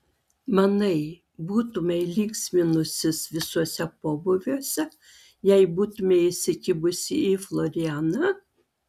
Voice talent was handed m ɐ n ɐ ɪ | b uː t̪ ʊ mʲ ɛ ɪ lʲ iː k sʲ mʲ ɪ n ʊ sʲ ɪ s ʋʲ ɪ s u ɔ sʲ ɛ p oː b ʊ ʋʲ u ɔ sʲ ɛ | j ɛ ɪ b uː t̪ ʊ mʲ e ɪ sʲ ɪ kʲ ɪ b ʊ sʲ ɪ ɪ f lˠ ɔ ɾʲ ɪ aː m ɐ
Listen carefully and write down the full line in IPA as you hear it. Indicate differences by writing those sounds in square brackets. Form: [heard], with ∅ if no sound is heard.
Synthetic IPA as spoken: m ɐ n ɐ ɪ | b uː t̪ ʊ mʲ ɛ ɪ lʲ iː k sʲ mʲ ɪ n ʊ sʲ ɪ s ʋʲ ɪ s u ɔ sʲ ɛ p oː b ʊ ʋʲ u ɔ sʲ ɛ | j ɛ ɪ b uː t̪ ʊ mʲ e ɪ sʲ ɪ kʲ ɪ b ʊ sʲ ɪ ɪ f lˠ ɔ ɾʲ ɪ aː [n] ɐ

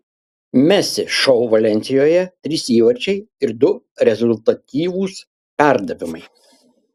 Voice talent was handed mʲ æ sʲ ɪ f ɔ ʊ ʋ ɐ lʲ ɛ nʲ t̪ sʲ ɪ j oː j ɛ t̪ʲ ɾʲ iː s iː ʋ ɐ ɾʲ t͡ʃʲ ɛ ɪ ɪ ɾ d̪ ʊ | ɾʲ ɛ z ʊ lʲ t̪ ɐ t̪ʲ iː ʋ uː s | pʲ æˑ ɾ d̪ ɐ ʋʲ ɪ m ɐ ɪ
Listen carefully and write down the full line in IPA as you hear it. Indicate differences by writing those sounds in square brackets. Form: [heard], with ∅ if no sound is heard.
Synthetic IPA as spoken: mʲ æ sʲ ɪ [ʃ] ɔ ʊ ʋ ɐ lʲ ɛ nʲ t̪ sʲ ɪ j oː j ɛ t̪ʲ ɾʲ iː s iː ʋ ɐ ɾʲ t͡ʃʲ ɛ ɪ ɪ ɾ d̪ ʊ | ɾʲ ɛ z ʊ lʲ t̪ ɐ t̪ʲ iː ʋ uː s | pʲ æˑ ɾ d̪ ɐ ʋʲ ɪ m ɐ ɪ

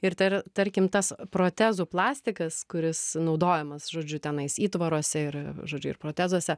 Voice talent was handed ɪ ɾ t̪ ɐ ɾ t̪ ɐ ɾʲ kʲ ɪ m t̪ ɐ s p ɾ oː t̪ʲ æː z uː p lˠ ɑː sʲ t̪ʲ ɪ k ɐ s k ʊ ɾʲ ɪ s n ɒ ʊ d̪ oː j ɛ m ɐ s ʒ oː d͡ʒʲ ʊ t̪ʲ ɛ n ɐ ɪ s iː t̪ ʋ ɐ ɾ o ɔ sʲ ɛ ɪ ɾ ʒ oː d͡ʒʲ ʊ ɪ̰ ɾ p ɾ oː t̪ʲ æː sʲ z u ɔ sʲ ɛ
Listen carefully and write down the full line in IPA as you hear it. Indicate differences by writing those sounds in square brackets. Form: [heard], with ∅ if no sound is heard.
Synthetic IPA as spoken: ɪ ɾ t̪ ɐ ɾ t̪ ɐ ɾʲ kʲ ɪ m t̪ ɐ s p ɾ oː t̪ʲ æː z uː p lˠ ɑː sʲ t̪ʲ ɪ k ɐ s k ʊ ɾʲ ɪ s n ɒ ʊ d̪ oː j ɛ m ɐ s ʒ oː d͡ʒʲ ʊ t̪ʲ ɛ n ɐ ɪ s iː t̪ ʋ ɐ ɾ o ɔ sʲ ɛ ɪ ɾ ʒ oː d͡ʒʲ ʊ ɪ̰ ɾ p ɾ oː t̪ʲ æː [∅] z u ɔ sʲ ɛ

